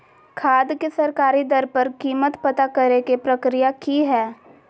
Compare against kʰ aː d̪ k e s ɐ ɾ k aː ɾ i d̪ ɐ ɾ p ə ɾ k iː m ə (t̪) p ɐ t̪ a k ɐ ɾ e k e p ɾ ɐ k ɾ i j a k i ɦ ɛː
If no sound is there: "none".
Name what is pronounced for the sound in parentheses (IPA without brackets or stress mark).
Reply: t̪